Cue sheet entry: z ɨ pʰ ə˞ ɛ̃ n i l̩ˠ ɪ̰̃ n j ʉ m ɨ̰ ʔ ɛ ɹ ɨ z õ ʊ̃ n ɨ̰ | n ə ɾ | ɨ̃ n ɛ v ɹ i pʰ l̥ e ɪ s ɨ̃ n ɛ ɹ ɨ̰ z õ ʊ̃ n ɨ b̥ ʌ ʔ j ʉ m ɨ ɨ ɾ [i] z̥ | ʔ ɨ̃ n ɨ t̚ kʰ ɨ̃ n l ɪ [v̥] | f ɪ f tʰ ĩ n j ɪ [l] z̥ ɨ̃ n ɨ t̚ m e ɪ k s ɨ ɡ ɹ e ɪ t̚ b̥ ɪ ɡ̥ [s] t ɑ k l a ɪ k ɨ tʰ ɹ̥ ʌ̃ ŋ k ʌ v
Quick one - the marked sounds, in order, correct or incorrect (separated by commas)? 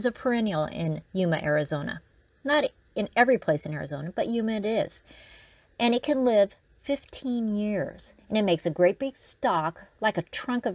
incorrect, correct, incorrect, correct